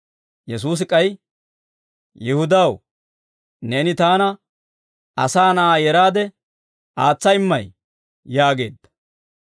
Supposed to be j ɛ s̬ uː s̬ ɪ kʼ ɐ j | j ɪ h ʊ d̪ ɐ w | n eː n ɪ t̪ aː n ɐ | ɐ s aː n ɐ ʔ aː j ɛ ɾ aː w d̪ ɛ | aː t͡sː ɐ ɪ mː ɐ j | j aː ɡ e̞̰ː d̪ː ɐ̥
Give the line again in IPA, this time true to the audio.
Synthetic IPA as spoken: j ɛ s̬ uː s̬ ɪ kʼ ɐ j | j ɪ h ʊ d̪ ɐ w | n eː n ɪ t̪ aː n ɐ | ɐ s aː n ɐ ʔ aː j ɛ ɾ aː d̪ ɛ | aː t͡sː ɐ ɪ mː ɐ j | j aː ɡ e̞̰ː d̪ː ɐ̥